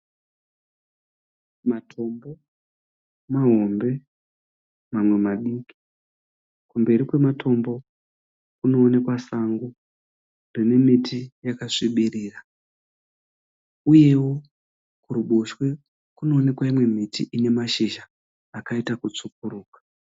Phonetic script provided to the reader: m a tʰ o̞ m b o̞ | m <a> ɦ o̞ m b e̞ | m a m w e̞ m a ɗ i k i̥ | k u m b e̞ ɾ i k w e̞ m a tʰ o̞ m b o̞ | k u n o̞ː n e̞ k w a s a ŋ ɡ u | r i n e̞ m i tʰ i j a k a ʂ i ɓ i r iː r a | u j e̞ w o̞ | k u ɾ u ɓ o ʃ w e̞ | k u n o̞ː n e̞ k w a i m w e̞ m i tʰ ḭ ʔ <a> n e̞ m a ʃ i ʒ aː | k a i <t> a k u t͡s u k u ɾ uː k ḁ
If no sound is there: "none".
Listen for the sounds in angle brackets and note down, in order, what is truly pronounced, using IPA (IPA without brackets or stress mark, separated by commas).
a, i, t